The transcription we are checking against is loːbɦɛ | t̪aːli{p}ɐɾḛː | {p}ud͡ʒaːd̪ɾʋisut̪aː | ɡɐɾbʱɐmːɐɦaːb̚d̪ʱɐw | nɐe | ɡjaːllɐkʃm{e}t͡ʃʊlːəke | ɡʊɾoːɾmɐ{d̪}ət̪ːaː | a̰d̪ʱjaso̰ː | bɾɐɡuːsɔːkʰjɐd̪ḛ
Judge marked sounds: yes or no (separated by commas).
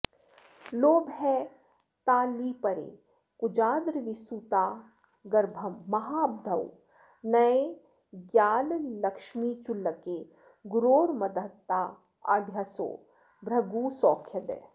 yes, no, no, yes